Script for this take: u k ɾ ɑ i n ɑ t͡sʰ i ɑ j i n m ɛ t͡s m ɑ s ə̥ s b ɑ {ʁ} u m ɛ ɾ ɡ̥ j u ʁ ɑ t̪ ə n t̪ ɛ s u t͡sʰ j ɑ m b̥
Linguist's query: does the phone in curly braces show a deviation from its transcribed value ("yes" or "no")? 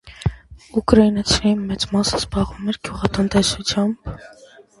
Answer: no